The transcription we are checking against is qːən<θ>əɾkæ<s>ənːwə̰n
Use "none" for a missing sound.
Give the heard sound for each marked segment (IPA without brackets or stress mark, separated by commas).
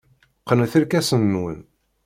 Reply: θ, s